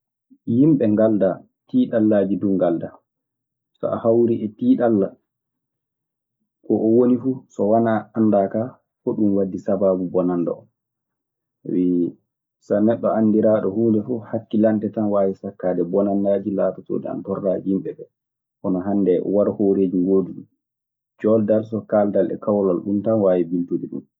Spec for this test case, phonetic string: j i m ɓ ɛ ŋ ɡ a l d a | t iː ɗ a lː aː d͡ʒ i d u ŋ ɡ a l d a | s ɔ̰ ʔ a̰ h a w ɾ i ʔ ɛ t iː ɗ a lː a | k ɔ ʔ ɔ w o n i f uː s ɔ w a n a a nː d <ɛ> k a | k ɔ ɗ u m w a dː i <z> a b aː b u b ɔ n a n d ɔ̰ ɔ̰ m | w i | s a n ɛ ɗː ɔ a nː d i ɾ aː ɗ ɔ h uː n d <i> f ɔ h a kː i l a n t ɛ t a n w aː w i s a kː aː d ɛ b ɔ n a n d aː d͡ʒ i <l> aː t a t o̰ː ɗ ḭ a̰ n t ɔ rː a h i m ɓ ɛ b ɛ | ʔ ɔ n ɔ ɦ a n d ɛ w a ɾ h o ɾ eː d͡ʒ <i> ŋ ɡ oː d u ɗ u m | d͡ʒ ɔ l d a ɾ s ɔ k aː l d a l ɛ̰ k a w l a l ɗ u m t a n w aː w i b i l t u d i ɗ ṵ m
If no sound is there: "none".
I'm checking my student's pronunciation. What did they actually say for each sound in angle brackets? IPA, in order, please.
a, s, ɛ, l, i

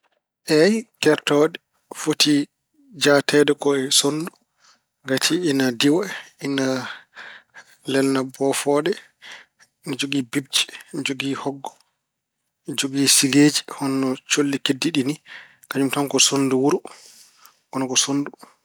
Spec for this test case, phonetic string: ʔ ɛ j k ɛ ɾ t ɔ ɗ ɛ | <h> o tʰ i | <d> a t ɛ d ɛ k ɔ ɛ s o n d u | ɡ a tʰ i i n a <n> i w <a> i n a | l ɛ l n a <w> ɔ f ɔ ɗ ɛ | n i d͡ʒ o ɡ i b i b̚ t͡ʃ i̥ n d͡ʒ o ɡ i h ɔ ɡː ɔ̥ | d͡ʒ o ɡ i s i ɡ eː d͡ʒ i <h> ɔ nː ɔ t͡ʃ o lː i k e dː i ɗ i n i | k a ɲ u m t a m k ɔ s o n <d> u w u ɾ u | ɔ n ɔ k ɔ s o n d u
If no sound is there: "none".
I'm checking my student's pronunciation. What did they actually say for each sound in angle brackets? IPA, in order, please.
f, d͡ʒ, d, a, b, h, d

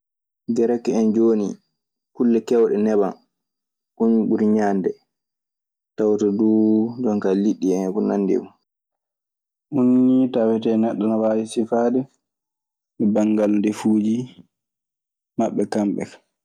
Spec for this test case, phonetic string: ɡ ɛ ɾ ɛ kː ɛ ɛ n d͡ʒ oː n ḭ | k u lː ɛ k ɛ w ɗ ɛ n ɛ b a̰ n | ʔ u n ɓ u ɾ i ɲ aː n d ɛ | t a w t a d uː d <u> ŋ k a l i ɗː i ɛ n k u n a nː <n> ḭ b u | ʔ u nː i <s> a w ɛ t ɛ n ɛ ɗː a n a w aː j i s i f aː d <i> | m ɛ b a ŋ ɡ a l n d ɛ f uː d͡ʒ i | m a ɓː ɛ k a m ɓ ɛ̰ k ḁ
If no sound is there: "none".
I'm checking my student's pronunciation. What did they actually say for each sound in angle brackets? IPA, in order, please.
ɔ, d, t, ɛ

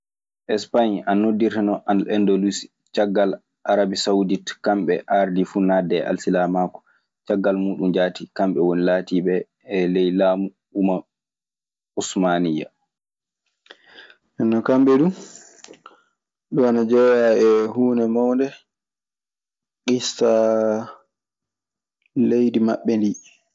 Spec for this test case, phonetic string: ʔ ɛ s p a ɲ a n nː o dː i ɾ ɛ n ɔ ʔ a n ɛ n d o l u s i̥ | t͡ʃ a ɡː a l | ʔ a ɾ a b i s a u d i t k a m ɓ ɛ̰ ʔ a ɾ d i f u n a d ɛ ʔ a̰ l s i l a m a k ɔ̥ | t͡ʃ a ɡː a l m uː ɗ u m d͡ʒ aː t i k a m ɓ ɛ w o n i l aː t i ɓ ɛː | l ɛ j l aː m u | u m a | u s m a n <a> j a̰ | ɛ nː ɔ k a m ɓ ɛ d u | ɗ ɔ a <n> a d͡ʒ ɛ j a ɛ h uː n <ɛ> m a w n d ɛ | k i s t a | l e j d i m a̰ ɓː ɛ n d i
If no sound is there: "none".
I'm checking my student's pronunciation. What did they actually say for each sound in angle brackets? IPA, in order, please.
i, n, ɛ

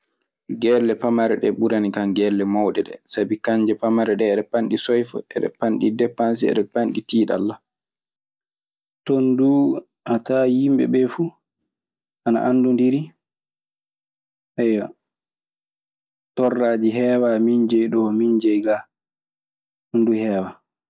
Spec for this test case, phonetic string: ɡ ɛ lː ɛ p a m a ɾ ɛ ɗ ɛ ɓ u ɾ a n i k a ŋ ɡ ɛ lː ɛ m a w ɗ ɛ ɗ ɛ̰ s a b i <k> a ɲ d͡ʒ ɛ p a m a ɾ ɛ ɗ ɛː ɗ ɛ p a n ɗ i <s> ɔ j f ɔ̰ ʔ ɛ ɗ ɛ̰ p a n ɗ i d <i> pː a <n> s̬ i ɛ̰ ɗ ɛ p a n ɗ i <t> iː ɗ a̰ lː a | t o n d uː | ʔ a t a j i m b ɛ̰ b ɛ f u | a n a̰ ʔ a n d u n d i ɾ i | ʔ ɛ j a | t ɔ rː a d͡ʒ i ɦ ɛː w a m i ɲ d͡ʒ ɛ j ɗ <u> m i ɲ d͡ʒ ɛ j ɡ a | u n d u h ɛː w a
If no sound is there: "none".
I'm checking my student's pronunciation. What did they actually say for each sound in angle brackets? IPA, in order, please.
k, s, ɛ, n, t, ɔ

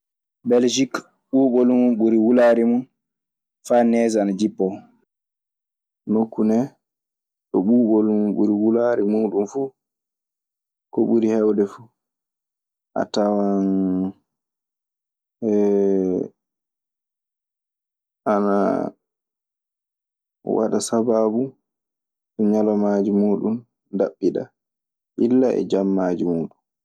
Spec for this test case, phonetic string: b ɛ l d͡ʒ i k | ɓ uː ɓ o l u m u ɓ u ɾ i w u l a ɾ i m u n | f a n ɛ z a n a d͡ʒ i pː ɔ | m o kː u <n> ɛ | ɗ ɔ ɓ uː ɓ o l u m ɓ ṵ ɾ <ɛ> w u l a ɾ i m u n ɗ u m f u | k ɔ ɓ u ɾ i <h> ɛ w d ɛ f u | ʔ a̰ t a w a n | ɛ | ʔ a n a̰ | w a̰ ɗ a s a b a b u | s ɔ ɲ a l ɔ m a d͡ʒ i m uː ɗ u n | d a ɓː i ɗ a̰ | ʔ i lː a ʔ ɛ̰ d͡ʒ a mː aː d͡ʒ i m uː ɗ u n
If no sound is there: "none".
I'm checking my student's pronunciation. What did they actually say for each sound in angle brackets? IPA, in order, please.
n, i, h

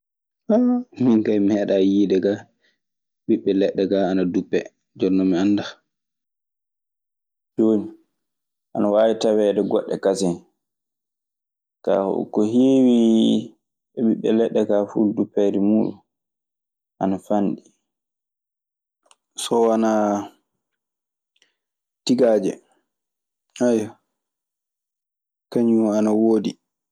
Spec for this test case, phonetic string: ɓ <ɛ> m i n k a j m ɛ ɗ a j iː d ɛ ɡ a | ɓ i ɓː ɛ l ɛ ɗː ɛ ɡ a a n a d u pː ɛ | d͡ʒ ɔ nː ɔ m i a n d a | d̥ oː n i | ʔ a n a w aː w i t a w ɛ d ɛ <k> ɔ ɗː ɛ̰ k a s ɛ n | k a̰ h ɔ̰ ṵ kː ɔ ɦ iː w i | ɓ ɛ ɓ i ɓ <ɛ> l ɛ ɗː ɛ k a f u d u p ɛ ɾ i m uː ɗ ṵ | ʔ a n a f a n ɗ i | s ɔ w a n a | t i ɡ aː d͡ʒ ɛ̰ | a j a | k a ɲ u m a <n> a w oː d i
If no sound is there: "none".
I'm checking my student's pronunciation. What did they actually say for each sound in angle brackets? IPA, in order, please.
a, ɡ, ɛ, n

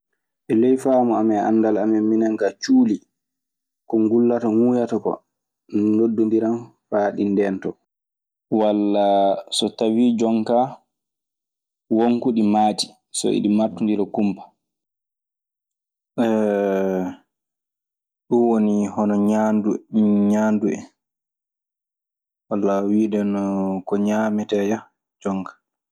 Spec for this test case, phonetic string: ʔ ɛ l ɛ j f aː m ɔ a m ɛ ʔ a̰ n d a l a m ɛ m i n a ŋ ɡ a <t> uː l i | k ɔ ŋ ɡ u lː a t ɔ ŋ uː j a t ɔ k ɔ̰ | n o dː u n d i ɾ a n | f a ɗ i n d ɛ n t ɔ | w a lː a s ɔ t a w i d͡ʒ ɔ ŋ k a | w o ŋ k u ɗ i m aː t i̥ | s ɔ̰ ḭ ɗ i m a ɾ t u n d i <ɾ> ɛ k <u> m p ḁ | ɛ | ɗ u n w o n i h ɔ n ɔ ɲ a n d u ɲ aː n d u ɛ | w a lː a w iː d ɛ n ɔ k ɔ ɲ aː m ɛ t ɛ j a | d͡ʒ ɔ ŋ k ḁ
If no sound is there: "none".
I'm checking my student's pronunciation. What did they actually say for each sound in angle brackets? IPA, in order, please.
t͡ʃ, ɾ, u

